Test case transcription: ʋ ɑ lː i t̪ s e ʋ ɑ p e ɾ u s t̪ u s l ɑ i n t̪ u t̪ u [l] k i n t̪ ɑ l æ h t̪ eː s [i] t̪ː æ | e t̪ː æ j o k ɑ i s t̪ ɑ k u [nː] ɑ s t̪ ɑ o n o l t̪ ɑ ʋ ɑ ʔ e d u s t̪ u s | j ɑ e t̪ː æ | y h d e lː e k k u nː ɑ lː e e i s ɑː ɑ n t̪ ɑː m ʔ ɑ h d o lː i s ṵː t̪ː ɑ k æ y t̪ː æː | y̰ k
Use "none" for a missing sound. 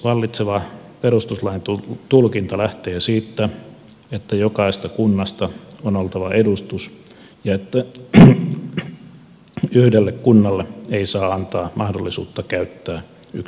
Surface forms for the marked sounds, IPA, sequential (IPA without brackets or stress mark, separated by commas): l, iː, nː